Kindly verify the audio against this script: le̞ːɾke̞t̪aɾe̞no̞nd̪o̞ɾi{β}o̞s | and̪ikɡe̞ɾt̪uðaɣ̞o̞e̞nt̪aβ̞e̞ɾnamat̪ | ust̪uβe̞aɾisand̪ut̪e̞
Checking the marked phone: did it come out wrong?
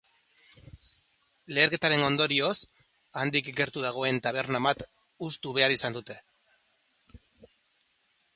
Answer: yes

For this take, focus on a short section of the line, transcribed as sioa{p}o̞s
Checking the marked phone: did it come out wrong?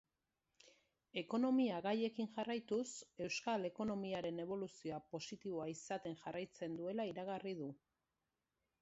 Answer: no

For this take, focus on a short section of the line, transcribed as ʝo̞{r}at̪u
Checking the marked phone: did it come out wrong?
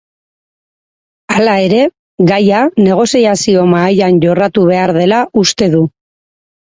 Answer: no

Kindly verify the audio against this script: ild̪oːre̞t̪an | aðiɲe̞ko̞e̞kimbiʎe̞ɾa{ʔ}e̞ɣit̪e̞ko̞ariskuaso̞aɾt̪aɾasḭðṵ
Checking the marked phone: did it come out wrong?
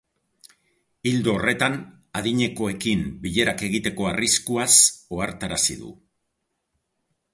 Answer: yes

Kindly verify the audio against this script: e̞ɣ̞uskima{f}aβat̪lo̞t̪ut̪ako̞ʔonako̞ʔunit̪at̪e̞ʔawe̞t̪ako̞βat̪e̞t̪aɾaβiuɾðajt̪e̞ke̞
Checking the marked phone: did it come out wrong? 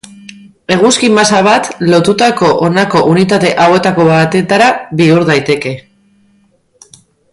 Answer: yes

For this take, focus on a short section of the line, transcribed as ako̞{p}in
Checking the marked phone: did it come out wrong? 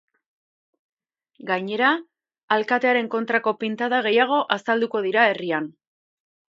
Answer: no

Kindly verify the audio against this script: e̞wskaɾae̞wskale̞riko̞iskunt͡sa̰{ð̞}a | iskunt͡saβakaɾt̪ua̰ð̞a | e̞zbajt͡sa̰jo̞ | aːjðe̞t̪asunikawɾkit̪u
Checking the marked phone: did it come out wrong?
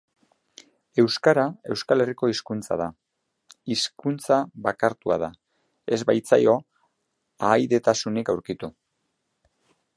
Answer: no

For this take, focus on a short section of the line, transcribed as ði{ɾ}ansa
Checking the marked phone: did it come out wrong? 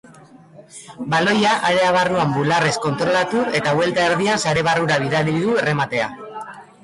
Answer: yes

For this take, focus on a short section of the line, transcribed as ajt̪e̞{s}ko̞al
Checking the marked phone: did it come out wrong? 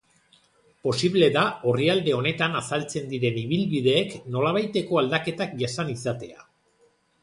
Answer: yes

